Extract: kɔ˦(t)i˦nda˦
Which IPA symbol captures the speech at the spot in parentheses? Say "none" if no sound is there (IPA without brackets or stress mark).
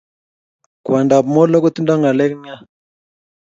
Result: t